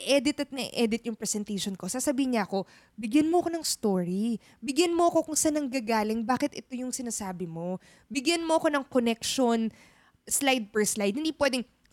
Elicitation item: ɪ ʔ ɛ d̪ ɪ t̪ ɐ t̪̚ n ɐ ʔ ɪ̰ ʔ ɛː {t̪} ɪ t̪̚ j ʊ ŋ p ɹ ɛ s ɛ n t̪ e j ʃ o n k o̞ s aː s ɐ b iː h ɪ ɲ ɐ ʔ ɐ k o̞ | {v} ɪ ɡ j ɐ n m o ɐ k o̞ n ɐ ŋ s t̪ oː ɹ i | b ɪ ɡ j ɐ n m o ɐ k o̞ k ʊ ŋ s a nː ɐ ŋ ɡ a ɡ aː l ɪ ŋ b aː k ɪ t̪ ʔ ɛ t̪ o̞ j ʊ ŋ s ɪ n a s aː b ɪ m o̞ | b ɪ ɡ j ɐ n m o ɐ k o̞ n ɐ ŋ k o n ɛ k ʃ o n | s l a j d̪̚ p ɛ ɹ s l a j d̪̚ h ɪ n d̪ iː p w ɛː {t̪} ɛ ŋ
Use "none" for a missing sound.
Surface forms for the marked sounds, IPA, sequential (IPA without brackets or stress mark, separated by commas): d̪, b, d̪